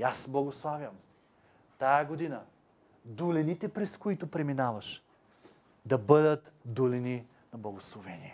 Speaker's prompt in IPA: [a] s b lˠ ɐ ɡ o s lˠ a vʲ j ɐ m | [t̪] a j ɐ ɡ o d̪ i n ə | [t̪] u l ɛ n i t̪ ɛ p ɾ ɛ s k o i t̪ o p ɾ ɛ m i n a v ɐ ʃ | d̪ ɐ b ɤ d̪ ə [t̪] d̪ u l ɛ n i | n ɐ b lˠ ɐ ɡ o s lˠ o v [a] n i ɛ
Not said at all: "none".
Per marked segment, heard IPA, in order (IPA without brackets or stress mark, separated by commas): a, t̪, d̪, t̪, ɛ